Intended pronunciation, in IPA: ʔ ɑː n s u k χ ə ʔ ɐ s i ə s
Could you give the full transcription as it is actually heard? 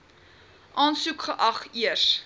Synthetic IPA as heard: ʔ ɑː n s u k χ ə ʔ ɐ χ i ə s